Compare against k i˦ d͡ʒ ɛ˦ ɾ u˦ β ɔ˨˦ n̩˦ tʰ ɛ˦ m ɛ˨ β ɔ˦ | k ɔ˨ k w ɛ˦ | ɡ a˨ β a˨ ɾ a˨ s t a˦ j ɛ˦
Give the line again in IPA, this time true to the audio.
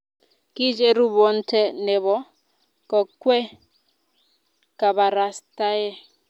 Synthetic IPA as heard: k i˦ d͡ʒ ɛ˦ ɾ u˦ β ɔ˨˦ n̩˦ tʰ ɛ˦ n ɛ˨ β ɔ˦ | k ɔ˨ k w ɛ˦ | k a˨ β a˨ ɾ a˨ s t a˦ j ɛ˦